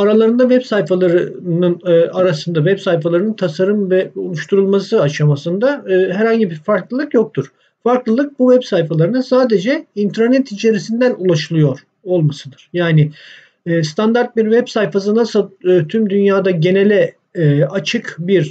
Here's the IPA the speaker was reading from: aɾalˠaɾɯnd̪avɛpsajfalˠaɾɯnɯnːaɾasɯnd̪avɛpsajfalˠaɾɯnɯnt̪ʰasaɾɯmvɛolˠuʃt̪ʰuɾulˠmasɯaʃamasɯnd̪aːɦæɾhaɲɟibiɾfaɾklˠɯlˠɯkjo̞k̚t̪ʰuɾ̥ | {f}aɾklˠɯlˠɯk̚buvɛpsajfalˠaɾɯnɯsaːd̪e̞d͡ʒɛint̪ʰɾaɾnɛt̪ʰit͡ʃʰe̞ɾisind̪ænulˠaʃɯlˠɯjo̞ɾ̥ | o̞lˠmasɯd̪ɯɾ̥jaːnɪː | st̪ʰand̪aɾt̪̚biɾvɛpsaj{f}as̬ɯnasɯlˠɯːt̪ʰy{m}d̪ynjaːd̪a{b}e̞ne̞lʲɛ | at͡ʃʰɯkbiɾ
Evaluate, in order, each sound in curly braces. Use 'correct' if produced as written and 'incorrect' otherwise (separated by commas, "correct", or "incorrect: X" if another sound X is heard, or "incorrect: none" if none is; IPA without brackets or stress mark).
correct, correct, correct, incorrect: ɟ